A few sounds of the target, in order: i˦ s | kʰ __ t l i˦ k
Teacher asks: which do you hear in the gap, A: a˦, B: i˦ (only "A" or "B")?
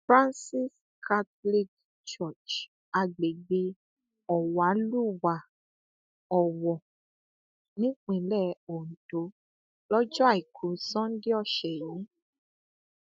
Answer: A